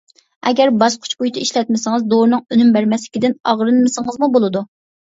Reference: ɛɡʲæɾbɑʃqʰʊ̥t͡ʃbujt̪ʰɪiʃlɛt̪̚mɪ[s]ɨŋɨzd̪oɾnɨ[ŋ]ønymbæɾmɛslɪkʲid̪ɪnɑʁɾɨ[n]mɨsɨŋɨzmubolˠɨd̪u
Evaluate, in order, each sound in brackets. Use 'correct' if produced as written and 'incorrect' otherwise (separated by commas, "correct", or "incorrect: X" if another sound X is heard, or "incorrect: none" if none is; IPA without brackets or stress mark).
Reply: correct, correct, correct